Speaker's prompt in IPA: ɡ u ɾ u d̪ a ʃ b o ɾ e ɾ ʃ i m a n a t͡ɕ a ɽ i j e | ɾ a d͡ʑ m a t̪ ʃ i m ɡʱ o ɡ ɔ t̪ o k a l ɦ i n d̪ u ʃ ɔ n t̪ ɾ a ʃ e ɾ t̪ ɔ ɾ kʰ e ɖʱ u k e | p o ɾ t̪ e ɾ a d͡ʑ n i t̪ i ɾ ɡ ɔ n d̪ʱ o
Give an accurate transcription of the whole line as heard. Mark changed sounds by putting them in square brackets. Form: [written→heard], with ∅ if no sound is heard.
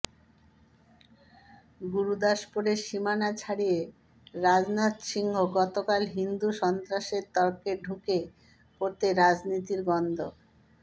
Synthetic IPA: ɡ u ɾ u d̪ a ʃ [b→p] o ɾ e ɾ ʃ i m a n a [t͡ɕ→t͡ɕʰ] a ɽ i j e | ɾ a d͡ʑ [m→n] a t̪ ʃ i [m→ŋ] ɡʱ o ɡ ɔ t̪ o k a l ɦ i n d̪ u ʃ ɔ n t̪ ɾ a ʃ e ɾ t̪ ɔ ɾ [kʰ→k] e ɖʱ u k e | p o ɾ t̪ e ɾ a d͡ʑ n i t̪ i ɾ ɡ ɔ n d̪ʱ o

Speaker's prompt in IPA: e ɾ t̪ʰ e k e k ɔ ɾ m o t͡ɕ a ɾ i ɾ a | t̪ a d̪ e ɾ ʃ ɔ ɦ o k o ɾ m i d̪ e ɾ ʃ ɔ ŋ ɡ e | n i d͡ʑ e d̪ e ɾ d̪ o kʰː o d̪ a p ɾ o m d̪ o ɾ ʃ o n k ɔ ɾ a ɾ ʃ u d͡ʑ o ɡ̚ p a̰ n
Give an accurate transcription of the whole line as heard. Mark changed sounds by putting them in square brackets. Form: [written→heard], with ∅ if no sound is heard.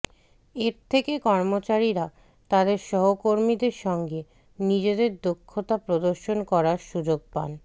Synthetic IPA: e ɾ t̪ʰ e k e k ɔ ɾ m o t͡ɕ a ɾ i ɾ a | t̪ a d̪ e ɾ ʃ ɔ ɦ o k o ɾ m i d̪ e ɾ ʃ ɔ ŋ ɡ e | n i d͡ʑ e d̪ e ɾ d̪ o kʰː o [d̪→t̪] a p ɾ o [m→∅] d̪ o ɾ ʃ o n k ɔ ɾ a ɾ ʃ u d͡ʑ o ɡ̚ p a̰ n

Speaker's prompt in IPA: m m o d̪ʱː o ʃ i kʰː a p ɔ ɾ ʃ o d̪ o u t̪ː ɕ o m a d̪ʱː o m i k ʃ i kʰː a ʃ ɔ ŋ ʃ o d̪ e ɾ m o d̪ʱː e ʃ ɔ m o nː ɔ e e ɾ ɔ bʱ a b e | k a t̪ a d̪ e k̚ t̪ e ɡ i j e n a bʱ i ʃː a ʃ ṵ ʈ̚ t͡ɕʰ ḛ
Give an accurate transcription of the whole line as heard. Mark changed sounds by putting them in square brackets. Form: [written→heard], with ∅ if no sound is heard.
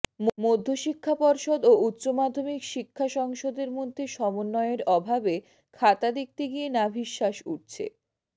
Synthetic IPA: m m o d̪ʱː o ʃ i kʰː a p ɔ ɾ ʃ o d̪ o u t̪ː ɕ o m a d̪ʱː o m i k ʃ i kʰː a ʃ ɔ ŋ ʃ o d̪ e ɾ m o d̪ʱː e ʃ ɔ m o nː ɔ e e ɾ ɔ bʱ a b e | [k→kʰ] a t̪ a d̪ e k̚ t̪ e ɡ i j e n a bʱ i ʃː a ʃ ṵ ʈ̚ t͡ɕʰ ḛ

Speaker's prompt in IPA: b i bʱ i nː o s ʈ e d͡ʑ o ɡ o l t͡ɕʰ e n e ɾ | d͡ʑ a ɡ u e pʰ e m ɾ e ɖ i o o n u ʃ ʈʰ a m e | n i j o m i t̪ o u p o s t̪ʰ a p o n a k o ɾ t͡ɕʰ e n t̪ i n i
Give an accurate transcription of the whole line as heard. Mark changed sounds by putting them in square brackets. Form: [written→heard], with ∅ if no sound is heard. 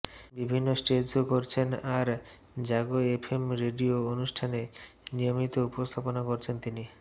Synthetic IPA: b i bʱ i nː o s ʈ e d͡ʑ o [ɡ→k] o [l→ɾ] t͡ɕʰ e n [e→a] ɾ | d͡ʑ a ɡ [u→o] e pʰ e m ɾ e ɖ i o o n u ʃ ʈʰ a [m→n] e | n i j o m i t̪ o u p o s t̪ʰ a p o n a k o ɾ t͡ɕʰ e n t̪ i n i

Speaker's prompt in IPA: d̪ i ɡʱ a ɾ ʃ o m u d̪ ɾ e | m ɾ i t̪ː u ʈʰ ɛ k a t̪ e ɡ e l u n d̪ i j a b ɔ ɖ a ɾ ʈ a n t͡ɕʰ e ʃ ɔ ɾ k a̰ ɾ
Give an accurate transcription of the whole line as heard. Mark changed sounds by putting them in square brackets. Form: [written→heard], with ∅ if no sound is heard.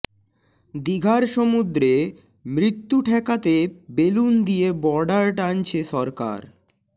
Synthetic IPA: d̪ i ɡʱ a ɾ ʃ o m u d̪ ɾ e | m ɾ i t̪ː u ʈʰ ɛ k a t̪ e [ɡ→b] e l u n d̪ i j [a→e] b ɔ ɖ a ɾ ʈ a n t͡ɕʰ e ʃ ɔ ɾ k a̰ ɾ

